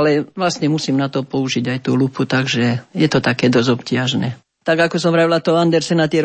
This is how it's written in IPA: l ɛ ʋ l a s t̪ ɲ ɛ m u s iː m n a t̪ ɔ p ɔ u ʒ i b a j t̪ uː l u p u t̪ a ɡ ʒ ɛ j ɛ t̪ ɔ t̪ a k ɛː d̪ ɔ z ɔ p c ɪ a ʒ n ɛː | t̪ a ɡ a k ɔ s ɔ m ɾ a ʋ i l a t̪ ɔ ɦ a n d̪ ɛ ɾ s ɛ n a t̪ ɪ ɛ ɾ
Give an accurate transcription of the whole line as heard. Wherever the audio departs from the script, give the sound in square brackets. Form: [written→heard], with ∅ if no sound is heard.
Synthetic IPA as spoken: l ɛ ʋ l a s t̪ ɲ ɛ m u s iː m n a t̪ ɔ p ɔ u ʒ i [b→ɟ] a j t̪ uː l u p u t̪ a ɡ ʒ ɛ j ɛ t̪ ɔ t̪ a k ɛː d̪ ɔ z ɔ p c ɪ a ʒ n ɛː | t̪ a ɡ a k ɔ s ɔ m ɾ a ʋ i l a t̪ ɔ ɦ a n d̪ ɛ ɾ s ɛ n a t̪ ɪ ɛ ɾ